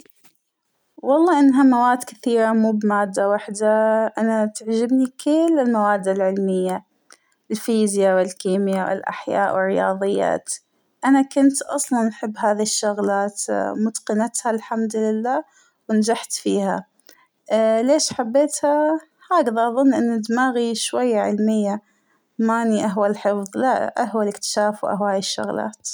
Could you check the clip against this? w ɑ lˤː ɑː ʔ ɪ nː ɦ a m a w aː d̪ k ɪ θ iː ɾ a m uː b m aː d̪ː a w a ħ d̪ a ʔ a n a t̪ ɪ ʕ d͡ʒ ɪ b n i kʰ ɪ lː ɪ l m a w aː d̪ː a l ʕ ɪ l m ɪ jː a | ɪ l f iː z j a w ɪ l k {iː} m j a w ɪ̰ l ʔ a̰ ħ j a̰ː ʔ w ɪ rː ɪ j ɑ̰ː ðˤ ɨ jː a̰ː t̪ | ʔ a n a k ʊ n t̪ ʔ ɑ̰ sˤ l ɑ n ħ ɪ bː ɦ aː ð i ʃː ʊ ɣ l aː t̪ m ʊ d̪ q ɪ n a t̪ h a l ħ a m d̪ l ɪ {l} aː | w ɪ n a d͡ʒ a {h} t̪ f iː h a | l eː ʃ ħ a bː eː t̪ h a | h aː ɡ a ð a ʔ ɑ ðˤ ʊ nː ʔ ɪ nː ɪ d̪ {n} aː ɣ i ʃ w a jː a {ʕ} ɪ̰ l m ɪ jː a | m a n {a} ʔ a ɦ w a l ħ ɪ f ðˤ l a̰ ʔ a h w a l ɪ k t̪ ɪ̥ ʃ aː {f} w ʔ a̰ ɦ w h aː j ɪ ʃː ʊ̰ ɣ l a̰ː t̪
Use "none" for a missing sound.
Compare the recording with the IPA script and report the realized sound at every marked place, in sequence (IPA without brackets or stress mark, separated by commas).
iː, lː, ħ, m, ʕ, i, f